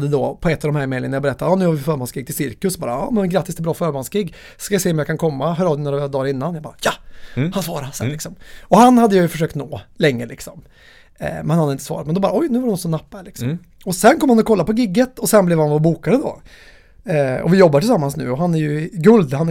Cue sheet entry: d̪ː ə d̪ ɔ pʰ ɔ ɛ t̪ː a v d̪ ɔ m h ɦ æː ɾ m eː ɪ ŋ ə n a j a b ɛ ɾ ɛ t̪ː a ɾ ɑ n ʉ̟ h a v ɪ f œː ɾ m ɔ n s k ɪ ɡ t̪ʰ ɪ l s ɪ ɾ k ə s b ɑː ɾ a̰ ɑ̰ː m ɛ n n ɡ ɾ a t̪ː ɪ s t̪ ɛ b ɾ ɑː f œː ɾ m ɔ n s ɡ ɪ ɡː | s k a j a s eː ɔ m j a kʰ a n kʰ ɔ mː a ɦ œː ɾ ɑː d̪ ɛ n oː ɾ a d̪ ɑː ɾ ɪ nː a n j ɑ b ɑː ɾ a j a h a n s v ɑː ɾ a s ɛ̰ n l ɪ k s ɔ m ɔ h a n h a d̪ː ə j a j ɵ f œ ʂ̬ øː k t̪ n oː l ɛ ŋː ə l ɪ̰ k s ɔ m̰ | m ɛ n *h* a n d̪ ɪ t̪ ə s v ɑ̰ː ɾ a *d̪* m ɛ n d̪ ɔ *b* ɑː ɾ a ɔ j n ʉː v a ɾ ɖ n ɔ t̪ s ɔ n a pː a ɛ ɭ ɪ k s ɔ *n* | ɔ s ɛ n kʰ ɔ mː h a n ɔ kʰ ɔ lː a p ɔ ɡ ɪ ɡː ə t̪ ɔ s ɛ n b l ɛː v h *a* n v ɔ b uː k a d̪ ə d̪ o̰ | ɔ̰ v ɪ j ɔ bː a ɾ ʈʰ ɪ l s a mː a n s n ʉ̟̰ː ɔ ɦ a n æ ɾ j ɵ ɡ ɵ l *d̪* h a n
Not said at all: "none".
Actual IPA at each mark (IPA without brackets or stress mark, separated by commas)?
h, t̪, b, m, a, d̪